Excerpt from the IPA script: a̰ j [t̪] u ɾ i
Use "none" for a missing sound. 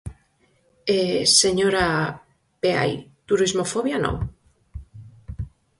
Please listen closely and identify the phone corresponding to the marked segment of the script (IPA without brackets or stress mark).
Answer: t̪